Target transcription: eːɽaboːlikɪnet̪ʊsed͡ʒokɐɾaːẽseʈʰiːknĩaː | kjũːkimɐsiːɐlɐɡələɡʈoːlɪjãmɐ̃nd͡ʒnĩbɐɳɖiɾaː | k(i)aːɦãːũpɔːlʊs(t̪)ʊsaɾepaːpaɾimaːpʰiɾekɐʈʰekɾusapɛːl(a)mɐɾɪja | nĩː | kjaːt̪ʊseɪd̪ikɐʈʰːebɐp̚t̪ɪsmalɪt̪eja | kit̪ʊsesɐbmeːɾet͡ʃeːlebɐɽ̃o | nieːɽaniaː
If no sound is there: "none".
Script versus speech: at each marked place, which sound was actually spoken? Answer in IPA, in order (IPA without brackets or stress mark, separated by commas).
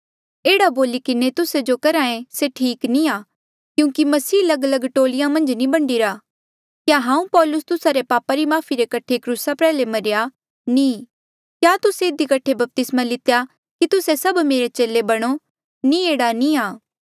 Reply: j, t̪, e